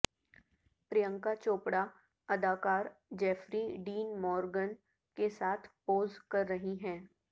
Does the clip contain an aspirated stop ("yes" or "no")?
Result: yes